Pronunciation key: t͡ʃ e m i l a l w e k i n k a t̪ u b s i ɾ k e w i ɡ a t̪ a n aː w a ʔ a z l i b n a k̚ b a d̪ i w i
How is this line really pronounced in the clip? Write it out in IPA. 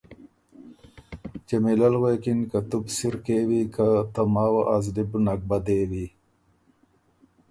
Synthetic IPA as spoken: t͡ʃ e m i l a l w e k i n k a t̪ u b s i ɾ k e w i k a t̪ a m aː w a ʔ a z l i b n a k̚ b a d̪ e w i